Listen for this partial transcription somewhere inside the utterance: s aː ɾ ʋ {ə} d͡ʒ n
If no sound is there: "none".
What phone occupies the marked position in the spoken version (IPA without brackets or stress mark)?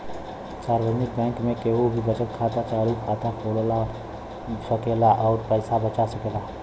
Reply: ə